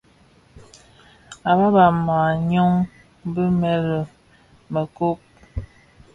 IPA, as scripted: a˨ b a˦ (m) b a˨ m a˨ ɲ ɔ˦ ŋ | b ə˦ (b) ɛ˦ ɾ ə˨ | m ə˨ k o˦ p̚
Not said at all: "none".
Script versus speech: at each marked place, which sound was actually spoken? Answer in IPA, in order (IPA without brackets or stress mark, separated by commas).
none, m